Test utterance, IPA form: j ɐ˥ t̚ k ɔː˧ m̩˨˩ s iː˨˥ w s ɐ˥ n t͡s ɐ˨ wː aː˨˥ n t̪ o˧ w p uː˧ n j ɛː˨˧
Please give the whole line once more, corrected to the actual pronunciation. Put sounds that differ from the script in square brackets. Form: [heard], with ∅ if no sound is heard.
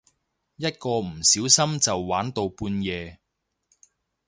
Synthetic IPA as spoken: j ɐ˥ t̚ k ɔː˧ m̩˨˩ s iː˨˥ w s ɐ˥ [m] t͡s ɐ˨ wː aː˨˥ n t̪ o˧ w p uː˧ n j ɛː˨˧